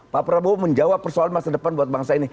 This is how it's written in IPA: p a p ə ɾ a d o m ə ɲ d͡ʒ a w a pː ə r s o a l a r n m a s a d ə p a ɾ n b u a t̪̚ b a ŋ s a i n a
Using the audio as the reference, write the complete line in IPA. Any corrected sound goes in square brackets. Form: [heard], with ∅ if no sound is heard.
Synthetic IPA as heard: p a p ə ɾ a [b] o m ə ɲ d͡ʒ a w a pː ə r s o a l a [∅] n m a s a d ə p a [∅] n b u a t̪̚ b a ŋ s a i n [i]